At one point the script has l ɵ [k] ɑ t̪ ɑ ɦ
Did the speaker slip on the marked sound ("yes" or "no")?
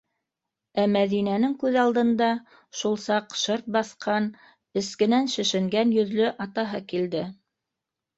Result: yes